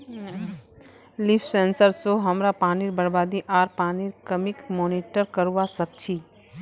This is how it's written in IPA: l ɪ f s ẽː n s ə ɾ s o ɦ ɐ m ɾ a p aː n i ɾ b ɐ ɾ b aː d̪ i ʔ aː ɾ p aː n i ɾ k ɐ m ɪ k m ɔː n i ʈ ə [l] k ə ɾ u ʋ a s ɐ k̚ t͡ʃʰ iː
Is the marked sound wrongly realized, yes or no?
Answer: yes